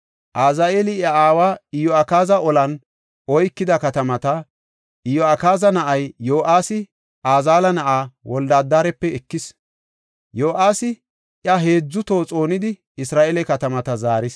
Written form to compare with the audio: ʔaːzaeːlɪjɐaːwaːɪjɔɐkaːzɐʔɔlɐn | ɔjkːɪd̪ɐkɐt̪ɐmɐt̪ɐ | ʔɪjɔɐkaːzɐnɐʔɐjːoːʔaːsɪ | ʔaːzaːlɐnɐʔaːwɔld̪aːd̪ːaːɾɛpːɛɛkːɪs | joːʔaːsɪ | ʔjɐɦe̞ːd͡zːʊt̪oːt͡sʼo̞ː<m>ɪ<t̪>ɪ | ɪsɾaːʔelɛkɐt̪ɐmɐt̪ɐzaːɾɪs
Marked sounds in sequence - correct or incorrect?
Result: incorrect: n, incorrect: d̪

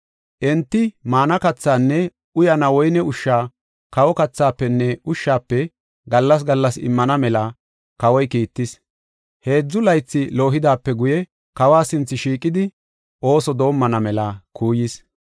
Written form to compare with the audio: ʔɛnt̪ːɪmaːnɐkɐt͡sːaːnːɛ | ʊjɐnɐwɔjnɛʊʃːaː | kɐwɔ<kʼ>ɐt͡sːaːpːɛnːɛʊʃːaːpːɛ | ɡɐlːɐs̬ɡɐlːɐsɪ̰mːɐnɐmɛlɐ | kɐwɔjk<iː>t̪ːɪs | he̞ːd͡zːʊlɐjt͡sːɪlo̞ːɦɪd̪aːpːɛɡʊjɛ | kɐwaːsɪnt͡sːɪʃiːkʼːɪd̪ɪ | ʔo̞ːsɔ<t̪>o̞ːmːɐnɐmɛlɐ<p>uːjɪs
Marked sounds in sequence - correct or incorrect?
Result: incorrect: k, correct, incorrect: d̪, incorrect: k

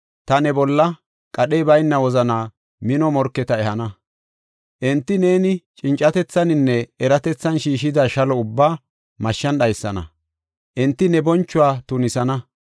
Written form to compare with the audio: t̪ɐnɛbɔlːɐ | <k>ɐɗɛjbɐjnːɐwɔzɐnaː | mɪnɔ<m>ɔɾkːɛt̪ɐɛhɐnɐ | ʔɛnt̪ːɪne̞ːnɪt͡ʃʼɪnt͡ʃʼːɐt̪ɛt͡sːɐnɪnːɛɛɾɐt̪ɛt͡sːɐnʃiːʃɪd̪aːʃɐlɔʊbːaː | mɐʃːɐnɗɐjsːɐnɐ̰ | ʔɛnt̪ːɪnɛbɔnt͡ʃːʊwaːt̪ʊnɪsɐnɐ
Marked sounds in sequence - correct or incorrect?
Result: incorrect: kʼ, correct

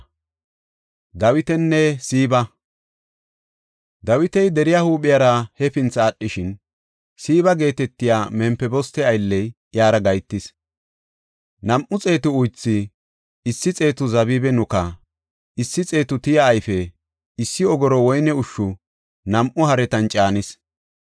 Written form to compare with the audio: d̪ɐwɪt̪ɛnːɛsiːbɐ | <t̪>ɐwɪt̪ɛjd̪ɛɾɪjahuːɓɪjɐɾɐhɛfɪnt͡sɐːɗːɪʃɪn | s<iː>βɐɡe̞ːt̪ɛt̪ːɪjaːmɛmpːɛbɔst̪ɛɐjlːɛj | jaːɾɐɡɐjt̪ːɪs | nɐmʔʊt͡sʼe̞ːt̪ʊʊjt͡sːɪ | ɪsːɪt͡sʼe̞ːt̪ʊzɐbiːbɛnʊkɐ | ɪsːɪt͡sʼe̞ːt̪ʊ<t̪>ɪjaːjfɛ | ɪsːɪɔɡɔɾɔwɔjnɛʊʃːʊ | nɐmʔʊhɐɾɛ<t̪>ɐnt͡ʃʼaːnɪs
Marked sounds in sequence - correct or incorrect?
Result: incorrect: d̪, correct, correct, correct

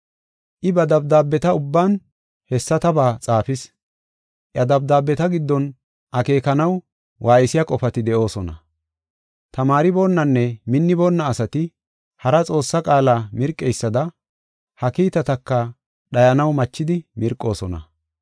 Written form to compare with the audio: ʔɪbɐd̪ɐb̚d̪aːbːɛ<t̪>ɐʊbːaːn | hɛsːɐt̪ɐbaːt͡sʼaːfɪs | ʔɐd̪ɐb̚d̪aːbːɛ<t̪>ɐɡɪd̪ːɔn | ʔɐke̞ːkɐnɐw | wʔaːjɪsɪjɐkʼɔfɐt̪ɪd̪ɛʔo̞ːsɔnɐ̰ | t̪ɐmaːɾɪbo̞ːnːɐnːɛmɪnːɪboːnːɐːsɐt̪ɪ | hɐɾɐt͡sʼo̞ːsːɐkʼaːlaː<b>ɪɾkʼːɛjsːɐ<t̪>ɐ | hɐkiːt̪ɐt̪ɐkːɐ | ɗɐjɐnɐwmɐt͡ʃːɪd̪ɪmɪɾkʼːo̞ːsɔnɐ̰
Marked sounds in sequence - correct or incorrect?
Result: correct, correct, incorrect: m, incorrect: d̪

